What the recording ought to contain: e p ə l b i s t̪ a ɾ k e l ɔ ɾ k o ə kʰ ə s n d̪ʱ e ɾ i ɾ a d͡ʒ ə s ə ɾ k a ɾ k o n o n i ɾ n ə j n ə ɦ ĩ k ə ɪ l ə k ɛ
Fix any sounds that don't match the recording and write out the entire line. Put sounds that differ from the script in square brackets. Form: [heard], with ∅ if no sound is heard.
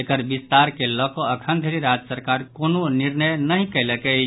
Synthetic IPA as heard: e [k] ə [ɾ] b i s t̪ a ɾ k e l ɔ [∅] k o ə kʰ ə [∅] n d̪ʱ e ɾ i ɾ a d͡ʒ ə s ə ɾ k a ɾ k o n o n i ɾ n ə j n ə ɦ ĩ k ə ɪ l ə k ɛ